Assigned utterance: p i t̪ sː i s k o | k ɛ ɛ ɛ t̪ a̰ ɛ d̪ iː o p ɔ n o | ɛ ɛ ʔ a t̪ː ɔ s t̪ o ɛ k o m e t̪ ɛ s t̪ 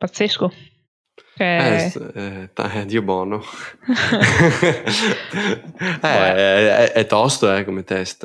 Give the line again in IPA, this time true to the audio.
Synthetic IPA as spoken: p a t̪ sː e s k o | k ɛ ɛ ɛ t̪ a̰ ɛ d̪ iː o b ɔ n o | ɛ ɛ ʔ ɛ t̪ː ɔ s t̪ o ɛ k o m e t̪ ɛ s t̪